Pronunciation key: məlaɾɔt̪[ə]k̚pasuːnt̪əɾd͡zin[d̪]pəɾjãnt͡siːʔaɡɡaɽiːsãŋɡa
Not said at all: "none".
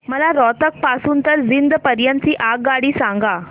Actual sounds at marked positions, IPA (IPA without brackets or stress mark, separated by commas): ə, d̪